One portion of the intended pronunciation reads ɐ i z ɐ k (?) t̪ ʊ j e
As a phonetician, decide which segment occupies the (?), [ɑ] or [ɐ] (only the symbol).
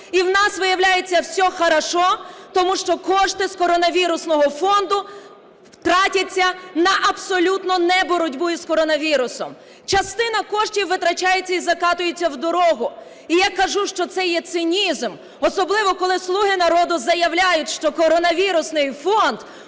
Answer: ɑ